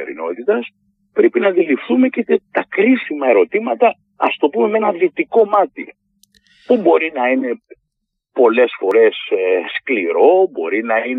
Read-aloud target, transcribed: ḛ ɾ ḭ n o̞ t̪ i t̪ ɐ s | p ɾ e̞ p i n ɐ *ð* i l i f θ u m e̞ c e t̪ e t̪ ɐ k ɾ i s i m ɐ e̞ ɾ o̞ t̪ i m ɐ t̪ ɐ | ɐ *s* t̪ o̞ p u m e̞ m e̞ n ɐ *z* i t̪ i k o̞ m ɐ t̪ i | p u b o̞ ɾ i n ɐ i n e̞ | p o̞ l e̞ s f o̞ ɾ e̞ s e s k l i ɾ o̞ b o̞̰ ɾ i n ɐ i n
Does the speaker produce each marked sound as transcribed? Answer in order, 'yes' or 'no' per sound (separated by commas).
yes, yes, no